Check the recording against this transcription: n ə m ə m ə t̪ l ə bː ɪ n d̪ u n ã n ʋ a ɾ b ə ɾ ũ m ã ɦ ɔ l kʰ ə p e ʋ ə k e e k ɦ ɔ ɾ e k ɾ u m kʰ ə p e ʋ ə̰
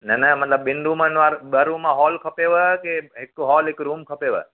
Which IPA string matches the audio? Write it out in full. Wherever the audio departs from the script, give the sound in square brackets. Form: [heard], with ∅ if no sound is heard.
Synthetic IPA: n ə [n] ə m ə t̪ l ə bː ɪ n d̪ u [m] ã n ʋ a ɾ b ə ɾ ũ m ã ɦ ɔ l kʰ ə p e ʋ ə k e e k ɦ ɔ [l] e k ɾ u m kʰ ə p e ʋ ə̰